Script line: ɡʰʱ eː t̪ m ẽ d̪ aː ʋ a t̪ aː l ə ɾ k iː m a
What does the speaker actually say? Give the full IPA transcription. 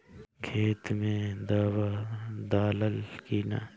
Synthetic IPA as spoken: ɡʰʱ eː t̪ m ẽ d̪ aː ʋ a d̪ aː l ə l k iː n a

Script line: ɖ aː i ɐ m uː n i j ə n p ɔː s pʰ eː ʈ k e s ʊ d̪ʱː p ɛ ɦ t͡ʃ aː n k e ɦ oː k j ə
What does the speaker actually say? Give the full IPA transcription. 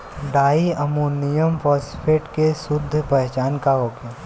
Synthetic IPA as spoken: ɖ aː i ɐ m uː n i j ə m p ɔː s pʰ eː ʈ k e s ʊ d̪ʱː p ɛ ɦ t͡ʃ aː n k a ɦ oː k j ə

